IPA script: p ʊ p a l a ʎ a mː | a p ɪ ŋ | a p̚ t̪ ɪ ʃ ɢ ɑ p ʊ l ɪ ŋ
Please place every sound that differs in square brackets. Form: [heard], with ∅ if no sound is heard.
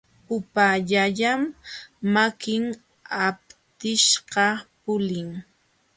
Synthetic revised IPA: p ʊ p a [ʎ] a ʎ a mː | a [k] ɪ ŋ | a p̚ t̪ ɪ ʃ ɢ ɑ p ʊ l ɪ ŋ

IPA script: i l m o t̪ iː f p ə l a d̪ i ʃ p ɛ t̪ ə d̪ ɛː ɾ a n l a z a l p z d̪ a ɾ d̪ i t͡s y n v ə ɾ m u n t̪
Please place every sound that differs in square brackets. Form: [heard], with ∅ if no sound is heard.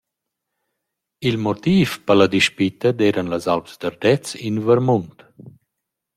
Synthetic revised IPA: i l m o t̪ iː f p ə l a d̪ i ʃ p [i] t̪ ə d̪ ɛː ɾ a n l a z a l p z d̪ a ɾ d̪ [ɛ] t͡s [i] n v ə ɾ m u n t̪

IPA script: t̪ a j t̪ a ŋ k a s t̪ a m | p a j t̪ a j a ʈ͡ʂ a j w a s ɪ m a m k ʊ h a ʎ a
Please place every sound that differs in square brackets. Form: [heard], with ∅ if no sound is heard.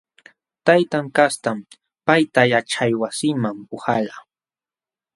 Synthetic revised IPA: t̪ a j t̪ a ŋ k a s t̪ a m | p a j t̪ a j a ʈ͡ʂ a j w a s ɪ m a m [p] ʊ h a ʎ a

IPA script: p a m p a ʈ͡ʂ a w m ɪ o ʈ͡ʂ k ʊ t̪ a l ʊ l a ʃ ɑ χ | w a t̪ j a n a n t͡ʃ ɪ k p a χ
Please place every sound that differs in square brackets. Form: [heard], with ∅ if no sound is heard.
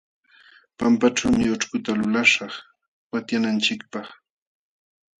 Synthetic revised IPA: p a m p a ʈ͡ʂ a w m ɪ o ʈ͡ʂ k ʊ t̪ a l ʊ l a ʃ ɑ χ | w a t̪ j a n a n t͡ʃ ɪ k p [ɑ] χ

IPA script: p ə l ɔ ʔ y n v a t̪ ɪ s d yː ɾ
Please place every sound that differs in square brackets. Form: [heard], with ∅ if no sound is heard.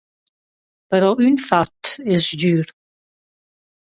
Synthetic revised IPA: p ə [ɾ] ɔ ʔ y n [f] a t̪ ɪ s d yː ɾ

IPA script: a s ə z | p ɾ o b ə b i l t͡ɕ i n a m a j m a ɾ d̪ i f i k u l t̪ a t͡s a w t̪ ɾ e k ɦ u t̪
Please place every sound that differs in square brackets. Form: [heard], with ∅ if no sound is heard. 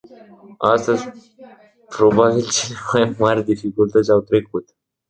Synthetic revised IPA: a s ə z | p ɾ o b [a] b i l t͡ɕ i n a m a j m a ɾ d̪ i f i k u l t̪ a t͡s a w t̪ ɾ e k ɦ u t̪

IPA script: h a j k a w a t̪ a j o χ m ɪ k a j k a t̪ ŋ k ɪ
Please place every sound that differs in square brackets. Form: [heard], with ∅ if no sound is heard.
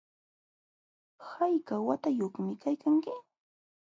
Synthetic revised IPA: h a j k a w a t̪ a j o χ m ɪ k a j k a [∅] ŋ k ɪ

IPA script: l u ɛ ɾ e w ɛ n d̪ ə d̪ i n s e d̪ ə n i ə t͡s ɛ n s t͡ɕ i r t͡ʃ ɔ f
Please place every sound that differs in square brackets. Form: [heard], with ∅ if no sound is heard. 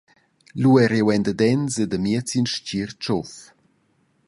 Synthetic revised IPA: l u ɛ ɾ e w ɛ n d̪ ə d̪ [ɛ] n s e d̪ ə [m] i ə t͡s [i] n [ʃ] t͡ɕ i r t͡ʃ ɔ f

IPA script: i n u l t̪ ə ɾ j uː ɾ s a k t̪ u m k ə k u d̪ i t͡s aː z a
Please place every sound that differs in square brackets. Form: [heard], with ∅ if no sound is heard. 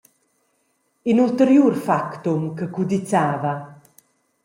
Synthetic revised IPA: i n u l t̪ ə ɾ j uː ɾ [f] a k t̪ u m k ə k u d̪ i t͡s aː [v] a

